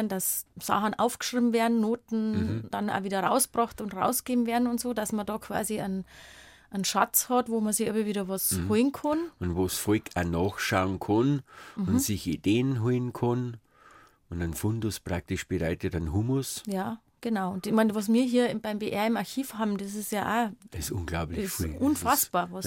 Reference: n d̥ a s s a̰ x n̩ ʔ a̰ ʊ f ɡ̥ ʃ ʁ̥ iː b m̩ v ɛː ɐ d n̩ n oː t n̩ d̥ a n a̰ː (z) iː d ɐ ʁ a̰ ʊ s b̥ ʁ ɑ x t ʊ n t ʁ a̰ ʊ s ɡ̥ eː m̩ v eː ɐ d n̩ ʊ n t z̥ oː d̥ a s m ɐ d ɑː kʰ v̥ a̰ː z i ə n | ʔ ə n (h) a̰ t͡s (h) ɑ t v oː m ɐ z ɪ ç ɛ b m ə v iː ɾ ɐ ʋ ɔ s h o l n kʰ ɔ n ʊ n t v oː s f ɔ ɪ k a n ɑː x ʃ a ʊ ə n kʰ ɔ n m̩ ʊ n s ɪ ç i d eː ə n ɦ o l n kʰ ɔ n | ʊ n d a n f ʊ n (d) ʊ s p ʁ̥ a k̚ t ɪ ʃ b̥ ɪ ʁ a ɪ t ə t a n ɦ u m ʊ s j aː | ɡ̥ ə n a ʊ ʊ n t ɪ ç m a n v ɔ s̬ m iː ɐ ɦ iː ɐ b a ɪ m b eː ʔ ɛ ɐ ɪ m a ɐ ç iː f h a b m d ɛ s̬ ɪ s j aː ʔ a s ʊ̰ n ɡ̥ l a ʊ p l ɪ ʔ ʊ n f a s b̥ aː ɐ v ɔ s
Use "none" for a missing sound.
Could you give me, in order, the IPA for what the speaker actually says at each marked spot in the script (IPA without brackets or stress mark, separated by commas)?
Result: v, ʃ, h, d